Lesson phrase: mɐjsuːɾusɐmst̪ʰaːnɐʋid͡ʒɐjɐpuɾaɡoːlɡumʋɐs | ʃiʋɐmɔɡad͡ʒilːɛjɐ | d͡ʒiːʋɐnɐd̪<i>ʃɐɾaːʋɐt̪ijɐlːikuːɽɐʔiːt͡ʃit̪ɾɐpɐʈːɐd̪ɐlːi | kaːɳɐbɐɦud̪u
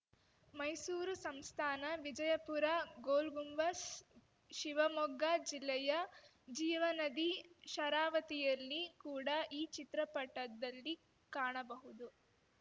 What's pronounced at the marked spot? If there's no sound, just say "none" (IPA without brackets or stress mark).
i